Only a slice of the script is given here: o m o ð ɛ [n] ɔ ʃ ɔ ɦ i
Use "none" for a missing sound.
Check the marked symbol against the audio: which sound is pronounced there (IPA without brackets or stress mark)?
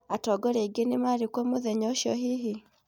ɲ